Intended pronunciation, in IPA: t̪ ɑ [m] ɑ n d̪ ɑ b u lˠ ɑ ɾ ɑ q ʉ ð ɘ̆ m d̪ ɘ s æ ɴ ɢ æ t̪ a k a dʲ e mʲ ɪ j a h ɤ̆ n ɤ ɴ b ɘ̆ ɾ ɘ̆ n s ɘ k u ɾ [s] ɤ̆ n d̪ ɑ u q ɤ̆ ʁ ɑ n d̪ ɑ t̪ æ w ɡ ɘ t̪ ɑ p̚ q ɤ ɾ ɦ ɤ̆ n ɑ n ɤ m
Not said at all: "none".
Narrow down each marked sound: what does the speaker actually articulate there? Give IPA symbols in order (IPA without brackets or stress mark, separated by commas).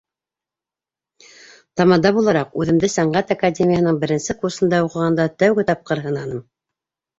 m, s